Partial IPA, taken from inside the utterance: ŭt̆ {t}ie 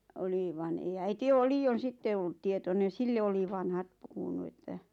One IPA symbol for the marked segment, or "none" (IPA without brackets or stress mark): t